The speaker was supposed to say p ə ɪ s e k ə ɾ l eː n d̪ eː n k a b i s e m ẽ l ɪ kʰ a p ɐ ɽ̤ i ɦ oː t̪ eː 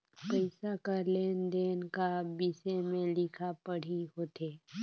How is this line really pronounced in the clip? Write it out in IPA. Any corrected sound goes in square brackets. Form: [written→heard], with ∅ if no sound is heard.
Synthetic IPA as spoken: p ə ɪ s [e→a] k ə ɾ l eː n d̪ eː n k a b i s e m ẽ l ɪ kʰ a p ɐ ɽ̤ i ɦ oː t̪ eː